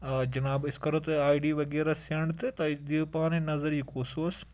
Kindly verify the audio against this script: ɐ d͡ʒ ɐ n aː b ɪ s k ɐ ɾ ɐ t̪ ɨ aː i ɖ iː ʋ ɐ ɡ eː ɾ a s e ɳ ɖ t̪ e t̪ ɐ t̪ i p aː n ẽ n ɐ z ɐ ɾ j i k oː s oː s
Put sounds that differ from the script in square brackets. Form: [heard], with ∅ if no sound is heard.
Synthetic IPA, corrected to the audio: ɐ d͡ʒ ɐ n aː b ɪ s k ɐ ɾ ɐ t̪ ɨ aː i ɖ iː ʋ ɐ ɡ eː ɾ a s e ɳ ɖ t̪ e t̪ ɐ [d̪] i p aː n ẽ n ɐ z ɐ ɾ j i k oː s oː s